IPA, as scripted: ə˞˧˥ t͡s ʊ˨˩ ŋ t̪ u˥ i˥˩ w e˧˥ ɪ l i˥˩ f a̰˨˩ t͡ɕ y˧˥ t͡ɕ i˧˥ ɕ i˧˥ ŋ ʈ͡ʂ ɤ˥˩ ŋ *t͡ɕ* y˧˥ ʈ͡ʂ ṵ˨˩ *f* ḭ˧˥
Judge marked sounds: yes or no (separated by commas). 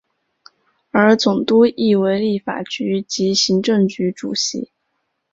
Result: yes, no